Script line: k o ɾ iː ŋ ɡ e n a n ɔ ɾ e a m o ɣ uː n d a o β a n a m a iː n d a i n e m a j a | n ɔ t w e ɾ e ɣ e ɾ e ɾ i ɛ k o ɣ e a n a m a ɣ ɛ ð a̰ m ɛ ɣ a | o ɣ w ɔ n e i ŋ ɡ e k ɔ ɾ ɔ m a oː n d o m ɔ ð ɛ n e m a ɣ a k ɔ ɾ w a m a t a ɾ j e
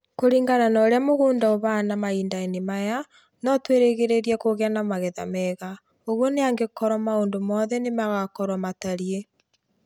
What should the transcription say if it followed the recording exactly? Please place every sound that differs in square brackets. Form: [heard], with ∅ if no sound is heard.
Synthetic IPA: k o ɾ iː ŋ ɡ [a] n a n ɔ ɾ e a m o ɣ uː n d a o β a n a m a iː n d a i n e m a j a | n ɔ t w e ɾ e ɣ e ɾ e ɾ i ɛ k o ɣ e a n a m a ɣ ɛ ð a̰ m ɛ ɣ a | o ɣ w ɔ n e [a] ŋ ɡ e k ɔ ɾ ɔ m a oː n d o m ɔ ð ɛ n e m a ɣ a k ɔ ɾ w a m a t a ɾ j e